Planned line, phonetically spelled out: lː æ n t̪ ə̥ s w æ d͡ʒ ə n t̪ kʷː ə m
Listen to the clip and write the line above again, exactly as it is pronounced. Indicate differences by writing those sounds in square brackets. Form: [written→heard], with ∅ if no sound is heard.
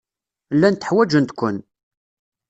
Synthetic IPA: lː æ n t̪ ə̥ [s→ħ] w æ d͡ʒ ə n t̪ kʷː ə [m→n]